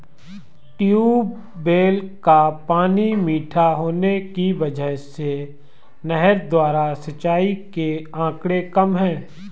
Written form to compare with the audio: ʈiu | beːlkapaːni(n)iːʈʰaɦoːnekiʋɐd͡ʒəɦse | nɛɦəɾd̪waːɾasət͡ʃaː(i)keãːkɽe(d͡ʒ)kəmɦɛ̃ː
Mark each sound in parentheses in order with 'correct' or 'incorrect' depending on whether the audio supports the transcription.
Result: incorrect: m, correct, incorrect: none

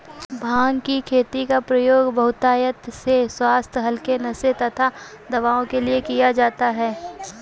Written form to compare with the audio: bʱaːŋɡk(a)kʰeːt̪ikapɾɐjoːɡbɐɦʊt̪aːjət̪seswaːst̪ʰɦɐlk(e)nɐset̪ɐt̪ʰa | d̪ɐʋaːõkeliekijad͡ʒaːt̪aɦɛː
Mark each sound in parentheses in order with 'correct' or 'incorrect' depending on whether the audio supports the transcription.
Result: incorrect: i, correct

